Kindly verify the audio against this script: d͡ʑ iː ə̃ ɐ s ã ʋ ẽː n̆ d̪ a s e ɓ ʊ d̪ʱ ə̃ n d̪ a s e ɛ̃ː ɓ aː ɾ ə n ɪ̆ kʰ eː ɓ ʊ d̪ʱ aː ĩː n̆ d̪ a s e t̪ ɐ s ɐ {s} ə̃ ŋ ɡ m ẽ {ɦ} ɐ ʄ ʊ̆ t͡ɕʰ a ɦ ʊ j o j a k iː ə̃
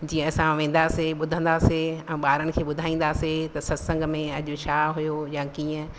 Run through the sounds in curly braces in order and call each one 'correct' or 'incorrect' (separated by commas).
correct, incorrect